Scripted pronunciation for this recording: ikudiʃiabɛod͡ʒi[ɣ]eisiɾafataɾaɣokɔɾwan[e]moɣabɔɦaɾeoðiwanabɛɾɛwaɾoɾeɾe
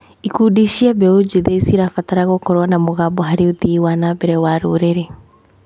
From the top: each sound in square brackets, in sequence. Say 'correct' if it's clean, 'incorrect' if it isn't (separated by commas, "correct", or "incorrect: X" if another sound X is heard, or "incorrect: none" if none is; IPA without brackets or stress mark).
incorrect: ð, incorrect: a